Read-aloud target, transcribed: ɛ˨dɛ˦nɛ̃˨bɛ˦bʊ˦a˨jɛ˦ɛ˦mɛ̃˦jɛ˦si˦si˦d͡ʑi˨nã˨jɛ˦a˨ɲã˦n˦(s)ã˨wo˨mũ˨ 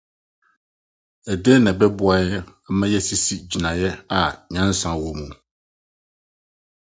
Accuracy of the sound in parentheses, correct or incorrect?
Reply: correct